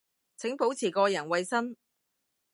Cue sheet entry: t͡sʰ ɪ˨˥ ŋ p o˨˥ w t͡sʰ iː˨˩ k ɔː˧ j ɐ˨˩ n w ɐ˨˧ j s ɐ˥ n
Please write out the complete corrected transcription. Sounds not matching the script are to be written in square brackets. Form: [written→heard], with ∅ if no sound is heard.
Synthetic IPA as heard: t͡sʰ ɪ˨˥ ŋ p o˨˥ w t͡sʰ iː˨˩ k ɔː˧ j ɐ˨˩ n w ɐ˨˧ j s ɐ˥ n

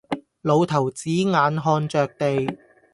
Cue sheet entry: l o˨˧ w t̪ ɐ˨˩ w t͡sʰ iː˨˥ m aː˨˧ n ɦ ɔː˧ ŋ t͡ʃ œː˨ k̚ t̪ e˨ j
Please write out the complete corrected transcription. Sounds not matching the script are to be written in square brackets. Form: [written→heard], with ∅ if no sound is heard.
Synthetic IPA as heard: l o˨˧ w [t̪→t̪ʰ] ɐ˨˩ w [t͡sʰ→t͡s] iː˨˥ [m→ŋ] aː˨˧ n ɦ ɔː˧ [ŋ→n] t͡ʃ œː˨ k̚ t̪ e˨ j

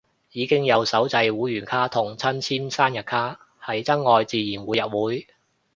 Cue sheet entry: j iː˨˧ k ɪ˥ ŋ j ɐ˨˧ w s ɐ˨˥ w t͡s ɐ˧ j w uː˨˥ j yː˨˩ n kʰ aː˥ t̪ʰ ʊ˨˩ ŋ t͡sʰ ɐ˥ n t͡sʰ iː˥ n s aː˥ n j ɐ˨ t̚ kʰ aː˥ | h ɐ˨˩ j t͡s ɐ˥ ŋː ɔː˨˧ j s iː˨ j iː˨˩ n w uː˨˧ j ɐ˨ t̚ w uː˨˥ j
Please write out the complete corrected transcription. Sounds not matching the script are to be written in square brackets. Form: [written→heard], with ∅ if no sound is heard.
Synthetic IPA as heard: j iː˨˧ k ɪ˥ ŋ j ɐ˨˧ w s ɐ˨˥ w t͡s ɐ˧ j w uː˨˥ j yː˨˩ n kʰ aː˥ t̪ʰ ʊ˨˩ ŋ t͡sʰ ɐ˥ n t͡sʰ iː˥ n s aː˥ n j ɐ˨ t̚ kʰ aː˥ | h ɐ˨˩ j t͡s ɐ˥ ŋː ɔː˨˧ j [s→t͡s] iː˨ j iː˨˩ n w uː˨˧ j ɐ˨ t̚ w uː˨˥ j

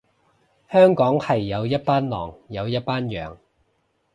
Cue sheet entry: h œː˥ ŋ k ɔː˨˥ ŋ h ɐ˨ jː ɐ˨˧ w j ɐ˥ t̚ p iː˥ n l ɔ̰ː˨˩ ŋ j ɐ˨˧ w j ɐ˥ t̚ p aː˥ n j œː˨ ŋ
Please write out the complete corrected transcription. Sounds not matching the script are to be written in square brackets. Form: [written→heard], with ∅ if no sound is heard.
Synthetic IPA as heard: h œː˥ ŋ k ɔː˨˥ ŋ h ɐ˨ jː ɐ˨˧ w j ɐ˥ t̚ p [iː˥→aː˥] n l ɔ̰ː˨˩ ŋ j ɐ˨˧ w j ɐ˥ t̚ p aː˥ n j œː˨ ŋ

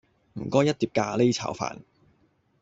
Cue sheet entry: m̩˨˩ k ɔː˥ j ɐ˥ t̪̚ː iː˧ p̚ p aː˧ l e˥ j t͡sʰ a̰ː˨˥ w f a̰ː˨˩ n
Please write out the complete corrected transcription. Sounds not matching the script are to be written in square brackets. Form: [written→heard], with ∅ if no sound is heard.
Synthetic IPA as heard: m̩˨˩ k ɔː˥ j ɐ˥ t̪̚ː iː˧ p̚ [p→k] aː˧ l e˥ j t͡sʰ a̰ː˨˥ w f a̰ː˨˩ n

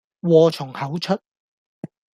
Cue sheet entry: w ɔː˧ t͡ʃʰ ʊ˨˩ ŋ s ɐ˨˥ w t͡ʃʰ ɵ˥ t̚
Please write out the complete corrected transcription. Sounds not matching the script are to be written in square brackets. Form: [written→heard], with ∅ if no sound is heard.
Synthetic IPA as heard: w ɔː˧ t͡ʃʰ ʊ˨˩ ŋ [s→h] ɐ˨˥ w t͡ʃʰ ɵ˥ t̚

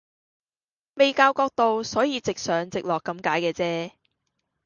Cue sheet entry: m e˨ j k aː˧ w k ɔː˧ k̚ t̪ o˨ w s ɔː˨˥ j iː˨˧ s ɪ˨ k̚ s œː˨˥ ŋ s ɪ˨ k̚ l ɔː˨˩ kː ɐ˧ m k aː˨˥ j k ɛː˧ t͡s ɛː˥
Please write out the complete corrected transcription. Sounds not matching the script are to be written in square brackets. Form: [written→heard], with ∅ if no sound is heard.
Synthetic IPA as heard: m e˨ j k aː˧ w k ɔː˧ k̚ t̪ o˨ w s ɔː˨˥ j iː˨˧ [s→t͡s] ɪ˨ k̚ s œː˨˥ ŋ [s→t͡s] ɪ˨ k̚ l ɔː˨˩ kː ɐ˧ m k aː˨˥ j k ɛː˧ t͡s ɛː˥

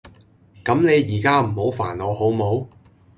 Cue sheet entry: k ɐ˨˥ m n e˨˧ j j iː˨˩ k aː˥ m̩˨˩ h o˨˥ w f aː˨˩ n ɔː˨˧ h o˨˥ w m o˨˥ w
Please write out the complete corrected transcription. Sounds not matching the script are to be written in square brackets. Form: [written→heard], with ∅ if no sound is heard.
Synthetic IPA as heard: k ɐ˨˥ m n e˨˧ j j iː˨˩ k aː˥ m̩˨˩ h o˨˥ w f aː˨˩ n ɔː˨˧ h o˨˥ w m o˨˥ w

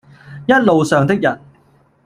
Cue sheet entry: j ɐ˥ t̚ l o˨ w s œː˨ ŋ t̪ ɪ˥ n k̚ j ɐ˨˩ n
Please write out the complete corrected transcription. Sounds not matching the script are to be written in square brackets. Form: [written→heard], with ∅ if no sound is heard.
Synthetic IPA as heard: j ɐ˥ t̚ l o˨ w s œː˨ ŋ t̪ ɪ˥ [n→∅] k̚ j ɐ˨˩ n

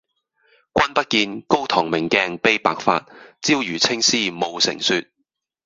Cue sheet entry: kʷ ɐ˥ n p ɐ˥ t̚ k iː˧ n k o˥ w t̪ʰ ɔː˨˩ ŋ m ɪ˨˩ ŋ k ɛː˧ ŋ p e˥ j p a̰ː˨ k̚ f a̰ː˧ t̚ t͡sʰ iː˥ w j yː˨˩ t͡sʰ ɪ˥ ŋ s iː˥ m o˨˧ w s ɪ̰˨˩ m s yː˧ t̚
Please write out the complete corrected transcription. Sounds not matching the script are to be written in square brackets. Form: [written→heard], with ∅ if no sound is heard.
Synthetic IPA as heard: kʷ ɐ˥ n p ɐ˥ t̚ k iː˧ n k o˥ w t̪ʰ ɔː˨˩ ŋ m ɪ˨˩ ŋ k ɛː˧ ŋ p e˥ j p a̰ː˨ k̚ f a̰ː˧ t̚ [t͡sʰ→t͡s] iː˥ w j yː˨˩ t͡sʰ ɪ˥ ŋ s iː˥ m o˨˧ w s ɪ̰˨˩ [m→ŋ] s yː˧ t̚

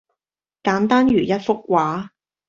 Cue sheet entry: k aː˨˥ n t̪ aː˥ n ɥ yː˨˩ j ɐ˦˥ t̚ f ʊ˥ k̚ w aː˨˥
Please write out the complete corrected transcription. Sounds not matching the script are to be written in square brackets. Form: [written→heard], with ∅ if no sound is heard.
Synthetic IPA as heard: k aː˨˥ n t̪ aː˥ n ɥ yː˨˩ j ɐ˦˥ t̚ f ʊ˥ k̚ w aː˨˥

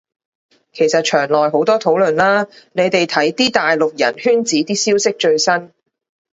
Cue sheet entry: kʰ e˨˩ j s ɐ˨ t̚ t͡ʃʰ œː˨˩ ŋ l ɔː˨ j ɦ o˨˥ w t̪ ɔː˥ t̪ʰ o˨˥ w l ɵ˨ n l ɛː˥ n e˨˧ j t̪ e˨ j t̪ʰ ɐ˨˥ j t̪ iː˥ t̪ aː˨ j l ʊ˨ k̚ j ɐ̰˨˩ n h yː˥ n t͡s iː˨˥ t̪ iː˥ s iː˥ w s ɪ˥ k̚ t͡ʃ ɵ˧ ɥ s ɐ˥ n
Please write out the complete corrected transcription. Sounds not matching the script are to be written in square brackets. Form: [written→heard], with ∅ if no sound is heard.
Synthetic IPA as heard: kʰ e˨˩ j s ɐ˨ t̚ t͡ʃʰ œː˨˩ ŋ l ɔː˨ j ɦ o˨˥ w t̪ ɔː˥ t̪ʰ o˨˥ w l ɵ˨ n l [ɛː˥→aː˥] n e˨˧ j t̪ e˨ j t̪ʰ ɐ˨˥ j t̪ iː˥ t̪ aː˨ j l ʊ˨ k̚ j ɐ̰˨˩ n h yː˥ n t͡s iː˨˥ t̪ iː˥ s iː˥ w s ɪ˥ k̚ t͡ʃ ɵ˧ ɥ s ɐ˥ n

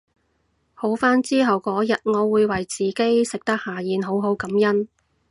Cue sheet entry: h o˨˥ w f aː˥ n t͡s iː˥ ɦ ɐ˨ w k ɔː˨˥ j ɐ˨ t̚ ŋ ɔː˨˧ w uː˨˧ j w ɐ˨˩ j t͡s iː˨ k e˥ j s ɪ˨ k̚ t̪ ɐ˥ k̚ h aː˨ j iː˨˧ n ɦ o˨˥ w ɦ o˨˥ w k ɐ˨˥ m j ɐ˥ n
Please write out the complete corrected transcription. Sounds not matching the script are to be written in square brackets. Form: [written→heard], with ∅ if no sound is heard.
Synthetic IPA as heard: h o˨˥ w f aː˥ n t͡s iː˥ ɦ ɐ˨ w k ɔː˨˥ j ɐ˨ t̚ ŋ ɔː˨˧ w uː˨˧ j w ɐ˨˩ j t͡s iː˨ k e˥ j s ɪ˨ k̚ t̪ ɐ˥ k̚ h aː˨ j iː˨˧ n ɦ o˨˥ w ɦ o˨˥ w k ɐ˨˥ m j ɐ˥ n

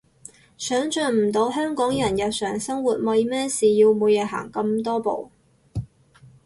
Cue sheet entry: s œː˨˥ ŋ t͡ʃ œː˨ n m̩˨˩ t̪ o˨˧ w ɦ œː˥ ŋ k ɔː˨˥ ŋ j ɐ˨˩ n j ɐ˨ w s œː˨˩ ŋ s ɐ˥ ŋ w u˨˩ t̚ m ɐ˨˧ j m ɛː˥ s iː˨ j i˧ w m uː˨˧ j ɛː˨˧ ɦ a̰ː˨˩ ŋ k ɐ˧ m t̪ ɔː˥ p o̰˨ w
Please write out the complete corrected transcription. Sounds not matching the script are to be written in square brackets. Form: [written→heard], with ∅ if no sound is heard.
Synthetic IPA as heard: s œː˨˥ ŋ t͡ʃ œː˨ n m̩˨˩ t̪ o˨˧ w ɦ œː˥ ŋ k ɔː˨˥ ŋ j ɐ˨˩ n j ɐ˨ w s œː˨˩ ŋ s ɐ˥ ŋ w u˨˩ t̚ m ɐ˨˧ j m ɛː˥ s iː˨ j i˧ w m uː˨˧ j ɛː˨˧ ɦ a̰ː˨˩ ŋ k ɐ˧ m t̪ ɔː˥ p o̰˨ w

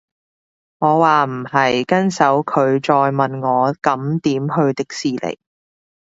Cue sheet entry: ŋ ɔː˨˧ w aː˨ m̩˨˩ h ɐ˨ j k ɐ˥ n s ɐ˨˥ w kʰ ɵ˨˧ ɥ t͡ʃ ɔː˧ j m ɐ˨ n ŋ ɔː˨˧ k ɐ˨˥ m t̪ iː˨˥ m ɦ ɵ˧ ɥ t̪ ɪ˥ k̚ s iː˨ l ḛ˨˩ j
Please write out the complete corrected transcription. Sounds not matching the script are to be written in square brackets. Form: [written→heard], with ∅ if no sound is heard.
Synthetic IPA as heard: ŋ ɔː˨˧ w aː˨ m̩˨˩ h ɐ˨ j k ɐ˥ n s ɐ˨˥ w kʰ ɵ˨˧ ɥ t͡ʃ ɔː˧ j m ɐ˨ n ŋ ɔː˨˧ k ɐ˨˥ m t̪ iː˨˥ m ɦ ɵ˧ ɥ t̪ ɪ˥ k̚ s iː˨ l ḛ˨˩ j

